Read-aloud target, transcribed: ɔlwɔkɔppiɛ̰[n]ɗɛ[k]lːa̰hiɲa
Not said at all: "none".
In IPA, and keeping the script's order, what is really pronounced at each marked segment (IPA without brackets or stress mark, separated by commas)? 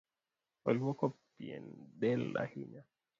n, none